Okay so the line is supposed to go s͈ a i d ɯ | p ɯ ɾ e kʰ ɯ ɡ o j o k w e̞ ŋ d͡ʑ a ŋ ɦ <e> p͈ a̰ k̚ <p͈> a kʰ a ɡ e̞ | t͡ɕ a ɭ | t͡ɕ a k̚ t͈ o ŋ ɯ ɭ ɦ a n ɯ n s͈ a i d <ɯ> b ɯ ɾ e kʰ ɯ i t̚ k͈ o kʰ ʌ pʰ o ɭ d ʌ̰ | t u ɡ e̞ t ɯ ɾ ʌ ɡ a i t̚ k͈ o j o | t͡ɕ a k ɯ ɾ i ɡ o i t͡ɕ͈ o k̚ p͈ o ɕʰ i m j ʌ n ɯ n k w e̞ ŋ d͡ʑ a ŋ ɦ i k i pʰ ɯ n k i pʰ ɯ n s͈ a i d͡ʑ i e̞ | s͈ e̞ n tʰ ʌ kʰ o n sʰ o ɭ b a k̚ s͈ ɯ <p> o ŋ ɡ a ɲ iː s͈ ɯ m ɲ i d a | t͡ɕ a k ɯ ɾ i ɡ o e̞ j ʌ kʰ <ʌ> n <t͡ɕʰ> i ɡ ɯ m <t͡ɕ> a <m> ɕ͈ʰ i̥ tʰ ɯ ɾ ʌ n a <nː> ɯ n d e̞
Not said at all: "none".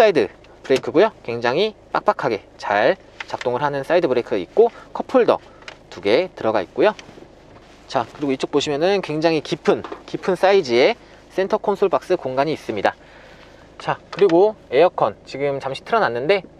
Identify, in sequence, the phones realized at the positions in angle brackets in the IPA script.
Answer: i, p͈, ɯ, k, ʌ, t͡ɕ, t͡ɕ, m, nː

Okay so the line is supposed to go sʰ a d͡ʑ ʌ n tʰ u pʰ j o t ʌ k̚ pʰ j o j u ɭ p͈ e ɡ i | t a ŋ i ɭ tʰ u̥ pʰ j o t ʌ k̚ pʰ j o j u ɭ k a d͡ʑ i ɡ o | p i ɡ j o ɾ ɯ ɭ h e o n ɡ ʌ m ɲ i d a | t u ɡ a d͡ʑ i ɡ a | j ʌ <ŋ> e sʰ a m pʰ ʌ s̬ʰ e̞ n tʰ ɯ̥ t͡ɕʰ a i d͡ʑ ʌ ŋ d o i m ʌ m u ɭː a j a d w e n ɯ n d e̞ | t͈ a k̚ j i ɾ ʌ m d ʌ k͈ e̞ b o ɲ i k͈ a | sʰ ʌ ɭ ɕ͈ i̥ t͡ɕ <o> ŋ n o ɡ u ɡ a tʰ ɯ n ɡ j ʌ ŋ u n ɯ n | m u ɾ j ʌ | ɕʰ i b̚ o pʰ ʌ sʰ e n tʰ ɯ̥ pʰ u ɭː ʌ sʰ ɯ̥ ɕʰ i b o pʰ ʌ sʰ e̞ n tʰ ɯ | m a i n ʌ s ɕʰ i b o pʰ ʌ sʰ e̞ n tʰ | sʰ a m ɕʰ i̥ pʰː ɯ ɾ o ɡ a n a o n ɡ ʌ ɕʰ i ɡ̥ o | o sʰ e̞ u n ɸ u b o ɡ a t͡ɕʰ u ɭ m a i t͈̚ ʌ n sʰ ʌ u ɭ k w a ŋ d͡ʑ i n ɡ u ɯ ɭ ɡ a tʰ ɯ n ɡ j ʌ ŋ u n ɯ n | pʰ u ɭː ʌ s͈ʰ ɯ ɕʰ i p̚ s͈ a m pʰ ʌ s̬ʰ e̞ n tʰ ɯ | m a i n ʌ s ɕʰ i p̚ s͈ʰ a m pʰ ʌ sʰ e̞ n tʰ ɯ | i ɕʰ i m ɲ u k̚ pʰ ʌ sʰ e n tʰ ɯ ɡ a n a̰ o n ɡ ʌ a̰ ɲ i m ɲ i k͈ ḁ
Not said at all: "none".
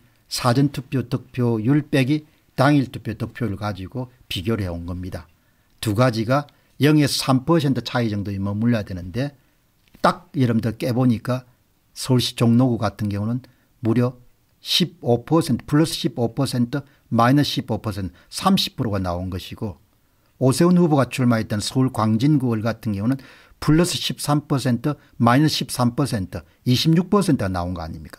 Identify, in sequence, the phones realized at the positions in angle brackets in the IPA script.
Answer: ŋ, o

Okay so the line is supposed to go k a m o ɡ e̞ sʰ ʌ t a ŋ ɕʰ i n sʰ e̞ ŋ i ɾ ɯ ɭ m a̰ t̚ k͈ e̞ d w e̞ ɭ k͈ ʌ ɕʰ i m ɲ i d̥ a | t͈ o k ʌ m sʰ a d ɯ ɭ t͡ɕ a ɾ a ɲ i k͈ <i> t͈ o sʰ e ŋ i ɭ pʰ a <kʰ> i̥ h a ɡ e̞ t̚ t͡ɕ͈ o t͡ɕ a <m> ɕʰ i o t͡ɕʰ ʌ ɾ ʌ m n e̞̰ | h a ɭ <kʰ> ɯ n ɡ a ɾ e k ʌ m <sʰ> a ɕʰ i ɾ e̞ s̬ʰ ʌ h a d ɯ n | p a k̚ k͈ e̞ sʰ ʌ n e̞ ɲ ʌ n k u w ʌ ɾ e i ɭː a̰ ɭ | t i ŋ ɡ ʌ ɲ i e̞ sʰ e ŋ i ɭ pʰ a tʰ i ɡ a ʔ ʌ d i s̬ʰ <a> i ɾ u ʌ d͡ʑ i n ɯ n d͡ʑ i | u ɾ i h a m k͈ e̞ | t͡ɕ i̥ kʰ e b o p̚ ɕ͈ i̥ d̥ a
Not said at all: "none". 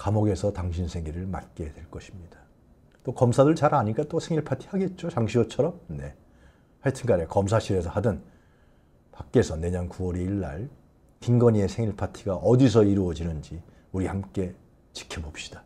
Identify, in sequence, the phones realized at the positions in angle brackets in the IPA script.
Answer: a, tʰ, ŋ, tʰ, sʰ, ʌ

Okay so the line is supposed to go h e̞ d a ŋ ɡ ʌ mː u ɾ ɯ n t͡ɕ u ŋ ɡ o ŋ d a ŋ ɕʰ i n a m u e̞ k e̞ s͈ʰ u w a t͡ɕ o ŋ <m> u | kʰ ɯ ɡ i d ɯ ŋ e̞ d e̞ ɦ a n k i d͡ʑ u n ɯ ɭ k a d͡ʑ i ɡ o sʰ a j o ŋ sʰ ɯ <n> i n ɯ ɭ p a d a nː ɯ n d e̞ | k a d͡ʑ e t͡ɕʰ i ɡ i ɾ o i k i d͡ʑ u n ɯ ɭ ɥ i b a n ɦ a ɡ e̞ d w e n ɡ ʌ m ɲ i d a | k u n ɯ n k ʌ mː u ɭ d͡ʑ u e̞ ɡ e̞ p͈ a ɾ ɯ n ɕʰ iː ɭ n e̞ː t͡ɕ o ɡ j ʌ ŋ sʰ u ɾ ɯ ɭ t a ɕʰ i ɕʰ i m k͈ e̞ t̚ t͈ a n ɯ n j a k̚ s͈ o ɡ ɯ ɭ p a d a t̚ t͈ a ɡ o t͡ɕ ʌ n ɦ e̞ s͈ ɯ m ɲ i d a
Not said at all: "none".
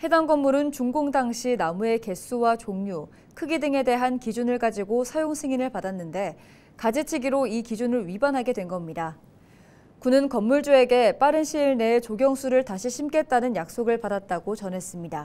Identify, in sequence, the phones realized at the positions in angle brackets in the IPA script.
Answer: ɲ, ŋ

